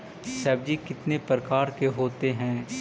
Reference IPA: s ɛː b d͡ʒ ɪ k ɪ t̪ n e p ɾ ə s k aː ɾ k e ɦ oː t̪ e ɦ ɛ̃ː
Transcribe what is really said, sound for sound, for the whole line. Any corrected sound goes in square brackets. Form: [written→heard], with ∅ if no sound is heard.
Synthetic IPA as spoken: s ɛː b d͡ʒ [ɪ→i] k ɪ t̪ n e p ɾ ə [s→∅] k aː ɾ k e ɦ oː t̪ e ɦ ɛ̃ː